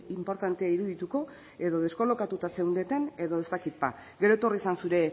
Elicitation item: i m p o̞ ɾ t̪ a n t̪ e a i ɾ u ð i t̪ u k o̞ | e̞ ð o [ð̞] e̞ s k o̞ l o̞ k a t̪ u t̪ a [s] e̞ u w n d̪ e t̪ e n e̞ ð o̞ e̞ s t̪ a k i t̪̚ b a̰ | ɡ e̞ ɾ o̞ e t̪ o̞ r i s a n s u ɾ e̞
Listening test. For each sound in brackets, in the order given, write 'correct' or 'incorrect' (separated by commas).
correct, correct